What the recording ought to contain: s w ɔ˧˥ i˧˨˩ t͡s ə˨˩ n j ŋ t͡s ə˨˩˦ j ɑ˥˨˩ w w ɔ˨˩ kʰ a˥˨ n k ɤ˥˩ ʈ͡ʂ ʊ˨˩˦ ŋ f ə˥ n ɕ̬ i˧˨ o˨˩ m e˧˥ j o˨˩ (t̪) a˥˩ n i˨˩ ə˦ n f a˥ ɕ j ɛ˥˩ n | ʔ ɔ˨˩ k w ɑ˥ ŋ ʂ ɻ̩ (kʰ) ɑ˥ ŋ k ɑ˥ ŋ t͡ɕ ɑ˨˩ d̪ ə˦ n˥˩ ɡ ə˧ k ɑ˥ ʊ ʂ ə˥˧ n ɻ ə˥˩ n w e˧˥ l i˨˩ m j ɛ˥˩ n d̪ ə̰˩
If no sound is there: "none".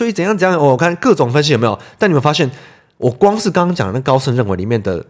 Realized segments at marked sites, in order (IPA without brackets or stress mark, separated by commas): t̪, k